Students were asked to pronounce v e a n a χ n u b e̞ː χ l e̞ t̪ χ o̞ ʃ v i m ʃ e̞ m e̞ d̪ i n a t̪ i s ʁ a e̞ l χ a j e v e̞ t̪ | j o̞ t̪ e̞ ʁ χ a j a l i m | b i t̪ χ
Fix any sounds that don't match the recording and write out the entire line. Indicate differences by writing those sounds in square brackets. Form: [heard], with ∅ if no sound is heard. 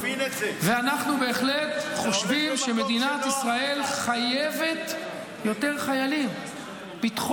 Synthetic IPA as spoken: v e a n a χ n u b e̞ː χ l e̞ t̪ χ o̞ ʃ v i m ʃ e̞ m e̞ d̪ i n a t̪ i s ʁ a e̞ l χ a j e v e̞ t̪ | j o̞ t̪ e̞ ʁ χ a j a l i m | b i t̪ χ